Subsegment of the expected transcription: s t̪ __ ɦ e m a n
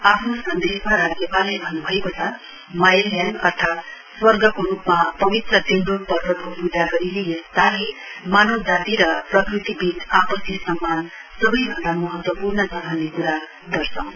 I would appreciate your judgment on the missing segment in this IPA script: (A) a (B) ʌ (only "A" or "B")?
A